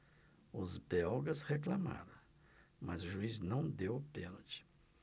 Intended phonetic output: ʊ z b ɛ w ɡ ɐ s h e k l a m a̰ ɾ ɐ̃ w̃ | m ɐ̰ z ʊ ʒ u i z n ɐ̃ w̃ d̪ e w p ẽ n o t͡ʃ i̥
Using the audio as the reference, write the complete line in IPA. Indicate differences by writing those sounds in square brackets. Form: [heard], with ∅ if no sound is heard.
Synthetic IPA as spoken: ʊ z b ɛ w ɡ ɐ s h e k l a m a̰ ɾ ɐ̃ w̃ | m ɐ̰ z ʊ ʒ u i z n ɐ̃ w̃ d̪ e w p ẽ n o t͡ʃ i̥

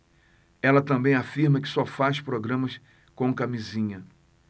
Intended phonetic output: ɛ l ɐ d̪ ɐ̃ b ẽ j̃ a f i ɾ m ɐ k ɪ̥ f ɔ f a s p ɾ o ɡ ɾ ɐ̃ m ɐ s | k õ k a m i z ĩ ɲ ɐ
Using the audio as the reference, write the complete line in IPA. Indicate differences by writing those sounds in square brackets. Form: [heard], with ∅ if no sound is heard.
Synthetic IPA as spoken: ɛ l ɐ [t̪] ɐ̃ b ẽ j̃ a f i ɾ m ɐ k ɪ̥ [s] ɔ f a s p ɾ o ɡ ɾ ɐ̃ m ɐ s | k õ k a m i z ĩ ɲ ɐ

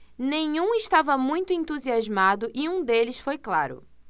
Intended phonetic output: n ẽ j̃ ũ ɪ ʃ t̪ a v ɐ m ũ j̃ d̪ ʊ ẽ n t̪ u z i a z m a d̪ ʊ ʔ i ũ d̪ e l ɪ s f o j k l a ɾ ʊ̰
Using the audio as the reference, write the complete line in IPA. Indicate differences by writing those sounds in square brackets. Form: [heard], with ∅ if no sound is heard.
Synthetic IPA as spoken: n ẽ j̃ ũ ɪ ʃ t̪ a v ɐ m ũ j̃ [t̪] ʊ ẽ n t̪ u z i a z m a d̪ ʊ ʔ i ũ d̪ e l ɪ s f o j k l a ɾ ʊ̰

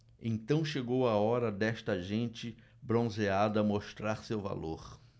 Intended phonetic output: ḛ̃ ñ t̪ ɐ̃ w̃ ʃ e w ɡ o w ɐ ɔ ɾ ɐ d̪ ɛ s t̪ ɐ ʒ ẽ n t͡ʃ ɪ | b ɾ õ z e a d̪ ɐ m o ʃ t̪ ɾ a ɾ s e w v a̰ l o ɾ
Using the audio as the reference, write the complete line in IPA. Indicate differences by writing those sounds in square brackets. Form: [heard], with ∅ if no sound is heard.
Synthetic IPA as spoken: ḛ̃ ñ t̪ ɐ̃ w̃ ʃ e [∅] ɡ o w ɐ ɔ ɾ ɐ d̪ ɛ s t̪ ɐ ʒ ẽ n t͡ʃ ɪ | b ɾ õ z e a d̪ ɐ m o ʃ t̪ ɾ a ɾ s e w v a̰ l o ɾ

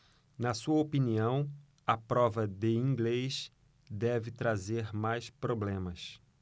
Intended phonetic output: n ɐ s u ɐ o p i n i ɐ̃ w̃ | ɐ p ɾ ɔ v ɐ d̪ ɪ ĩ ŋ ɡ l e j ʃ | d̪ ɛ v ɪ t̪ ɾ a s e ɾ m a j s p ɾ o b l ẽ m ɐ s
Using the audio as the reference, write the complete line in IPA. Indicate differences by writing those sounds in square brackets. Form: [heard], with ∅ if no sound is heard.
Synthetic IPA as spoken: n ɐ s u ɐ o p i n i ɐ̃ w̃ | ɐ p ɾ ɔ v ɐ d̪ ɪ ĩ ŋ ɡ l e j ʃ | d̪ ɛ v ɪ t̪ ɾ a [z] e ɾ m a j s p ɾ o b l ẽ m ɐ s

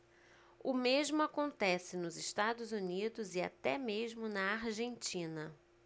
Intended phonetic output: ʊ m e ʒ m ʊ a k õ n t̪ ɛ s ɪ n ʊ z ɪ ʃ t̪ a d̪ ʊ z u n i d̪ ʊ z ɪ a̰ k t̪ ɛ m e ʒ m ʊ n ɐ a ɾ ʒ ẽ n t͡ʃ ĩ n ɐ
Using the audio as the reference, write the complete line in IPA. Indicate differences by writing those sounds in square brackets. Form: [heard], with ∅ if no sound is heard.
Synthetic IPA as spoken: ʊ m e ʒ m ʊ a k õ n t̪ ɛ s ɪ n ʊ z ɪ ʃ t̪ a d̪ ʊ z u n i d̪ ʊ z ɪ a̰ [∅] t̪ ɛ m e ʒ m ʊ n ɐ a ɾ ʒ ẽ n t͡ʃ ĩ n ɐ

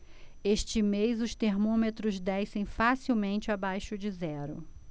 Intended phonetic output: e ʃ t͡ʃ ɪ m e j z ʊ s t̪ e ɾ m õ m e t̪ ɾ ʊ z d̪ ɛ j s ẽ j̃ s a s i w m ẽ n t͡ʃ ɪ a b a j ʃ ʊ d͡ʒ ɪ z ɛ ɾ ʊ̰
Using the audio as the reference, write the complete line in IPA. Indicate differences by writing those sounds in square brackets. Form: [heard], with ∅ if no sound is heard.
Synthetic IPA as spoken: e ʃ t͡ʃ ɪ m e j z ʊ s t̪ e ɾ m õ m e t̪ ɾ ʊ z d̪ ɛ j s ẽ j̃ [f] a s i w m ẽ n t͡ʃ ɪ a b a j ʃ ʊ d͡ʒ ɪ z ɛ ɾ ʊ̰

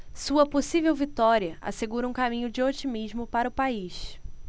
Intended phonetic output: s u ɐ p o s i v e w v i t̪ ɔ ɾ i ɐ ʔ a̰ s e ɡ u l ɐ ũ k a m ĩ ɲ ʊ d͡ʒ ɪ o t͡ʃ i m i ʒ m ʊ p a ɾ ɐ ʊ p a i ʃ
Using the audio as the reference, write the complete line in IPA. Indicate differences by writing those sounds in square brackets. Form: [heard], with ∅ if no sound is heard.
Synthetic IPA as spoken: s u ɐ p o s i v e w v i t̪ ɔ ɾ i ɐ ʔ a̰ s e ɡ u [ɾ] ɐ ũ k a m ĩ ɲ ʊ d͡ʒ ɪ o t͡ʃ i m i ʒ m ʊ p a ɾ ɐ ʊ p a i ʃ

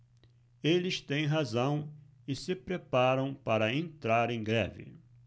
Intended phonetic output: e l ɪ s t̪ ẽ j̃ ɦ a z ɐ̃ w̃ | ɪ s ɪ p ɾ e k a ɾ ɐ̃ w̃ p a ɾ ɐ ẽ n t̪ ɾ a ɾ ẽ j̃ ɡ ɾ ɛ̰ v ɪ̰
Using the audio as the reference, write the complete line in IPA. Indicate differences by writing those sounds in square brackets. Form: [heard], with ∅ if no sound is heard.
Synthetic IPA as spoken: e l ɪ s t̪ ẽ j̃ ɦ a z ɐ̃ w̃ | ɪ s ɪ p ɾ e [p] a ɾ ɐ̃ w̃ p a ɾ ɐ ẽ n t̪ ɾ a ɾ ẽ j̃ ɡ ɾ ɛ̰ v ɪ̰

